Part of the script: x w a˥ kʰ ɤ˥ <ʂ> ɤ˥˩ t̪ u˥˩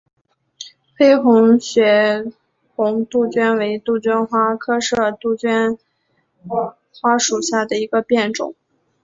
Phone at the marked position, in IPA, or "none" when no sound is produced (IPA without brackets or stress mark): ʂ